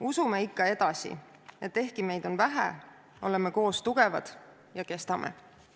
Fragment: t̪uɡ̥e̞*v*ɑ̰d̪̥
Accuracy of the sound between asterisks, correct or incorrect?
correct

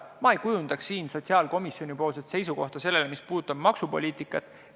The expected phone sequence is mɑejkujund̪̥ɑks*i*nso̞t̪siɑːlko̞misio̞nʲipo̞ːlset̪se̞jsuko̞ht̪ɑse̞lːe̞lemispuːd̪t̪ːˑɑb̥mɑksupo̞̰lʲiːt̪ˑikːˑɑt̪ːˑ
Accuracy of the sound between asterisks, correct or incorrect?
incorrect: iː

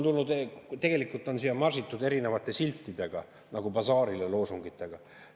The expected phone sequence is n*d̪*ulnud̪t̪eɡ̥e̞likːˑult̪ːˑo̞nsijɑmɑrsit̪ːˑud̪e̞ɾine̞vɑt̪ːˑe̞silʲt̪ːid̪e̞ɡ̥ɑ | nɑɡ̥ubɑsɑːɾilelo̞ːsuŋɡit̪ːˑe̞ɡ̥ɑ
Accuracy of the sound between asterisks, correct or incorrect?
incorrect: t̪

